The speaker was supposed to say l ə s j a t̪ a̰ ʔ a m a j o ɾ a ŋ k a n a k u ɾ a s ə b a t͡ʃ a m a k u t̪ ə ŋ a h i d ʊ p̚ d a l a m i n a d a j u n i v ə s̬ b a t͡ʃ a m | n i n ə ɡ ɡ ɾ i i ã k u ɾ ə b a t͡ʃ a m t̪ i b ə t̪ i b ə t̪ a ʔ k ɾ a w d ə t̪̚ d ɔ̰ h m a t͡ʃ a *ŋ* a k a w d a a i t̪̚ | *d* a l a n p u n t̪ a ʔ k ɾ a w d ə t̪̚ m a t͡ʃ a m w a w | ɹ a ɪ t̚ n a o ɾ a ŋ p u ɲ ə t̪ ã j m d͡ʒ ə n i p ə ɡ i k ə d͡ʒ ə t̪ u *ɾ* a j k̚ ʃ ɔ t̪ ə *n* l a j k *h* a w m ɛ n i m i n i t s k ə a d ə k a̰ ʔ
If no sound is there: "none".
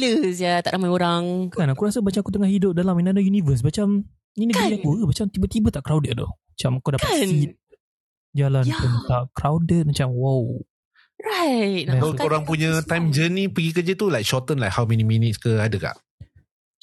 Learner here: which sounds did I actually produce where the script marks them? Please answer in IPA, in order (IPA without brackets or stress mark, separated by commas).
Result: m, d͡ʒ, l, n, h